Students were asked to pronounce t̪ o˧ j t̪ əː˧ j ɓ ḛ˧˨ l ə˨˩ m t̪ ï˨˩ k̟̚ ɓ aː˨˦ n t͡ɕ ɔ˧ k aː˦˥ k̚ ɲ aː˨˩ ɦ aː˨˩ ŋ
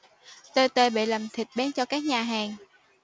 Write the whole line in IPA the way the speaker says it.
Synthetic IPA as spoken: t̪ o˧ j t̪ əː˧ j ɓ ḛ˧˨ l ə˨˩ m t̪ʰ ï˨˩ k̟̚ ɓ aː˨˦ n t͡ɕ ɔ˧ k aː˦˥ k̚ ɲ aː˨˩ ɦ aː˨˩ ŋ